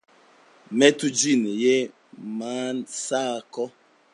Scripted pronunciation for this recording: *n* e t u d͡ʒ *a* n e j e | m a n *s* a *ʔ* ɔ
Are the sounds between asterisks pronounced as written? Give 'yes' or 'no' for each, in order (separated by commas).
no, no, yes, no